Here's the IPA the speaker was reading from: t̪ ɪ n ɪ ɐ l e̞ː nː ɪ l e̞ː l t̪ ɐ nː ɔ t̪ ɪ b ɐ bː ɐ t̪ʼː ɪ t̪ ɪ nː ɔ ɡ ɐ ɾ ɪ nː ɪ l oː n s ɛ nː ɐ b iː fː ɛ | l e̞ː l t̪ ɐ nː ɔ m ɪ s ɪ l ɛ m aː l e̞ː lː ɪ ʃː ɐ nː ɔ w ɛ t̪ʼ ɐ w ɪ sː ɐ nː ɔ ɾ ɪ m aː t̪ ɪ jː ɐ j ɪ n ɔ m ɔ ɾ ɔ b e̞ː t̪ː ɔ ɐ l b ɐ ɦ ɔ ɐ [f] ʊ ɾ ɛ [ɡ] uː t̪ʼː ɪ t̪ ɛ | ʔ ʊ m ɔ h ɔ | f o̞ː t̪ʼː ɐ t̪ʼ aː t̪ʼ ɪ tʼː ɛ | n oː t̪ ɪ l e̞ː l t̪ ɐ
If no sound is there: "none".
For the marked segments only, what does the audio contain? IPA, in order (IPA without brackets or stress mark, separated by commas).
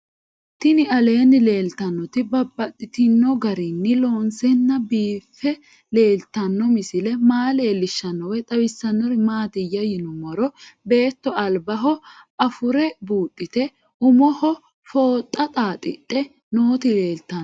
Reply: f, b